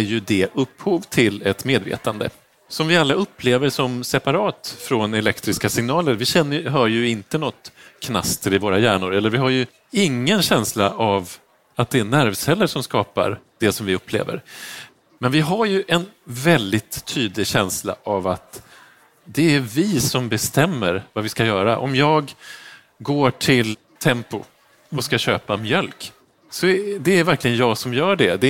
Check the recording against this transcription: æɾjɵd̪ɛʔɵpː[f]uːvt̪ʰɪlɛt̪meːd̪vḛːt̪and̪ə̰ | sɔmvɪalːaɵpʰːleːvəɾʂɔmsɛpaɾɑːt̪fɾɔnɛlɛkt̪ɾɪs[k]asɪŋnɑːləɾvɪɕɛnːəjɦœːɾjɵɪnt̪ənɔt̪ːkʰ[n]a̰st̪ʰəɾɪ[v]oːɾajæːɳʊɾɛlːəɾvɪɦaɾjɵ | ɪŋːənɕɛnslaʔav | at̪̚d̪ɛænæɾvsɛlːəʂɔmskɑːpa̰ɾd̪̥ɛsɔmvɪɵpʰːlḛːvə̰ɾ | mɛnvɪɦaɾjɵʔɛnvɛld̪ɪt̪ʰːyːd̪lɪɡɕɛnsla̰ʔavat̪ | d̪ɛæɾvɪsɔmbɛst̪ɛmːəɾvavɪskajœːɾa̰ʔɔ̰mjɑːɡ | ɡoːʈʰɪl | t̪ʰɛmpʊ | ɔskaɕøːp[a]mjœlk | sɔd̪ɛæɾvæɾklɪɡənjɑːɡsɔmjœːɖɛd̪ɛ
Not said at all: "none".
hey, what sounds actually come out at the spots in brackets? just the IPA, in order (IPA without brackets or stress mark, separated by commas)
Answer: h, k, n, v, a